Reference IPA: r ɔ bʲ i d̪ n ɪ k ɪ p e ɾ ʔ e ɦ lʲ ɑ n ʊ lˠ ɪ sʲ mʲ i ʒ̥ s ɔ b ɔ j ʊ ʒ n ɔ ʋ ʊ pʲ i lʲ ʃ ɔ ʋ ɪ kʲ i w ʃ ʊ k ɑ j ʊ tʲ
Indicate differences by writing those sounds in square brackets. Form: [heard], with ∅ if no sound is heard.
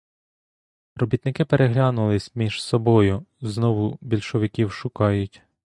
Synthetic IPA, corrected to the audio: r ɔ bʲ i [t̪] n ɪ k ɪ p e ɾ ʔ e ɦ lʲ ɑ n ʊ lˠ ɪ sʲ mʲ i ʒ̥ s ɔ b ɔ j ʊ [z] n ɔ ʋ ʊ [bʲ] i lʲ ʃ ɔ ʋ ɪ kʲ i w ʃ ʊ k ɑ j ʊ tʲ